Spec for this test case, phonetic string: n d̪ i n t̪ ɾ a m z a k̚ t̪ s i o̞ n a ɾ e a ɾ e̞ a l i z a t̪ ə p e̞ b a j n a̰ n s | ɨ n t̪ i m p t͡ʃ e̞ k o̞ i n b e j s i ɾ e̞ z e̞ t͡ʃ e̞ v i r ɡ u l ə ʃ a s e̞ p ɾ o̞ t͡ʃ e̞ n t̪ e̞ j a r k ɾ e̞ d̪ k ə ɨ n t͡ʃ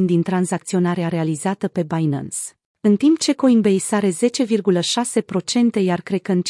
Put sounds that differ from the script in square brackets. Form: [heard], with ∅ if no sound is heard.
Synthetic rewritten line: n d̪ i n t̪ ɾ a [n] z a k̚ t̪ s i o̞ n a ɾ e a ɾ e̞ a l i z a t̪ ə p e̞ b a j n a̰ n s | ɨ n t̪ i m p t͡ʃ e̞ k o̞ i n b e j s [a] ɾ e̞ z e̞ t͡ʃ e̞ v i r ɡ u l ə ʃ a s e̞ p ɾ o̞ t͡ʃ e̞ n t̪ e̞ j a r k ɾ e̞ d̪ k ə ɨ n t͡ʃ